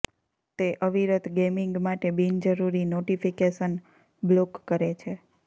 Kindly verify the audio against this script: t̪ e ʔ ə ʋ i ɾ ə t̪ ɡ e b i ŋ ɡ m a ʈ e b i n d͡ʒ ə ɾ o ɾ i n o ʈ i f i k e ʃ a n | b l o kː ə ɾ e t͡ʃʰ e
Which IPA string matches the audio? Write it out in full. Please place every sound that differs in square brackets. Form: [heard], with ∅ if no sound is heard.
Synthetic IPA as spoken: t̪ e ʔ ə ʋ i ɾ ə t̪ ɡ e [m] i ŋ ɡ m a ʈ e b i n d͡ʒ ə ɾ [u] ɾ i n o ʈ i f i k e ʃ [ə] n | b l o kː ə ɾ e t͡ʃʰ e